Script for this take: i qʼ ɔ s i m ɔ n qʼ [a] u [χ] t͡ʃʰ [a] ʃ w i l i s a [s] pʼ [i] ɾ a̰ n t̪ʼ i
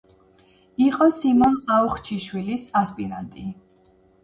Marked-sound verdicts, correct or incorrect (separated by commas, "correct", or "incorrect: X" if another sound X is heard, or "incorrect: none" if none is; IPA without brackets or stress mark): correct, correct, incorrect: i, correct, correct